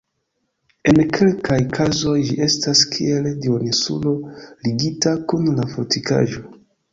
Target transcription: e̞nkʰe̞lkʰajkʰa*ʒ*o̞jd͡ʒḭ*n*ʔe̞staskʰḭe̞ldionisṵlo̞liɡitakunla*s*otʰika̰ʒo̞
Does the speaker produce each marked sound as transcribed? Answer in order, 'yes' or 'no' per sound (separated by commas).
no, no, no